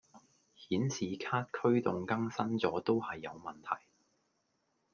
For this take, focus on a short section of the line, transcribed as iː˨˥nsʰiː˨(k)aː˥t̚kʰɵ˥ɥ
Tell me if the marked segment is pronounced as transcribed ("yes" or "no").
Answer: no